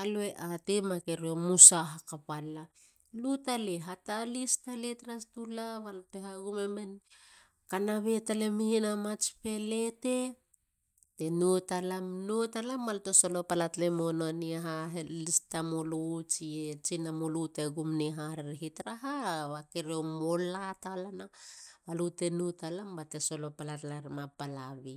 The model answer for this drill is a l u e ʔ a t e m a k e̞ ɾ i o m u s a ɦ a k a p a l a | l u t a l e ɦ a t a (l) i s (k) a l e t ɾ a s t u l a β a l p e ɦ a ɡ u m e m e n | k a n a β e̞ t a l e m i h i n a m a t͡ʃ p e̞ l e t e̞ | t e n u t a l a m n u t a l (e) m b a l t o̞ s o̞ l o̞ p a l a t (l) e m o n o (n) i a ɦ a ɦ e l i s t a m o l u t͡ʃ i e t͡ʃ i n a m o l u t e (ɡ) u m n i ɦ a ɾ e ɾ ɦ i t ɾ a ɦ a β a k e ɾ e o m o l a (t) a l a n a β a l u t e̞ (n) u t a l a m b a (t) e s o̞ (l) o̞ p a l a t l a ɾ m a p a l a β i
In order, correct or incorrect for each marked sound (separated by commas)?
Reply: correct, incorrect, incorrect, correct, correct, correct, correct, correct, correct, correct